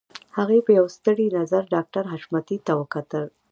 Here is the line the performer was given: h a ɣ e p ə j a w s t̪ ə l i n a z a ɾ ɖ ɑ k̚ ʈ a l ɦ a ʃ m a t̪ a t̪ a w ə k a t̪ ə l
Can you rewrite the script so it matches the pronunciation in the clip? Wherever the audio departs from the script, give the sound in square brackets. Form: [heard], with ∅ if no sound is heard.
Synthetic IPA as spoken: h a ɣ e p ə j a w s t̪ ə [ɽ] i n a z a ɾ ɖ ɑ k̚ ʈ a [ɾ] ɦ a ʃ m a t̪ [i] t̪ a w ə k a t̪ ə l